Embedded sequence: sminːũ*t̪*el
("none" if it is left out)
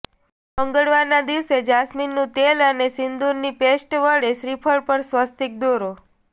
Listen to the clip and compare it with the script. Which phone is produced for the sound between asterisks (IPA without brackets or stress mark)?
t̪